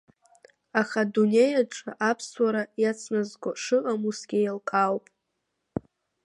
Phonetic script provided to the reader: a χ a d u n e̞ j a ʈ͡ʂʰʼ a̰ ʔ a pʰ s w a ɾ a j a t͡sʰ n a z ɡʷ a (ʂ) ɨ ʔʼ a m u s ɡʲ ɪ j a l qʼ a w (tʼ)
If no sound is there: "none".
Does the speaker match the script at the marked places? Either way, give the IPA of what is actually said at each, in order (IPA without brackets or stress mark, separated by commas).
ʂ, pʼ